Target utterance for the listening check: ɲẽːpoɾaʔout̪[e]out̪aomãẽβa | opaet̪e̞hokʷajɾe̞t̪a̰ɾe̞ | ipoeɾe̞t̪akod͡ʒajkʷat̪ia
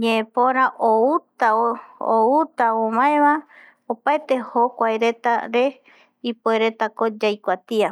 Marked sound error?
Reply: yes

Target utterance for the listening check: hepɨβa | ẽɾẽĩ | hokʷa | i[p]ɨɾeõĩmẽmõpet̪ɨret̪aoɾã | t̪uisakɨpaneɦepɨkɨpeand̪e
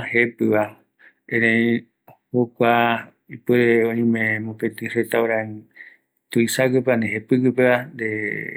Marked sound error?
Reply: no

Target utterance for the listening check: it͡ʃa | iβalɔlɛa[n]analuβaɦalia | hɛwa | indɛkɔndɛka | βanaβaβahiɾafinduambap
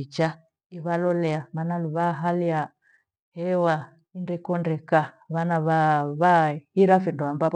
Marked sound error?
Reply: yes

